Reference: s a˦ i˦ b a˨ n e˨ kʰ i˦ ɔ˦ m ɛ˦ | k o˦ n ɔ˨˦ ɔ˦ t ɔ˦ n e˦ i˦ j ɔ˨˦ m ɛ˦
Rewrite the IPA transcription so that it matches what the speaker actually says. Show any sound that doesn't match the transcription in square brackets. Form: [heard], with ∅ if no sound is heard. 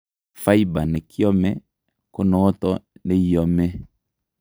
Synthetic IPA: [f] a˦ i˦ b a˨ n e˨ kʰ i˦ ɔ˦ m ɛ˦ | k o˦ n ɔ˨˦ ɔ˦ t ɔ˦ n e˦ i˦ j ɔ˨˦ m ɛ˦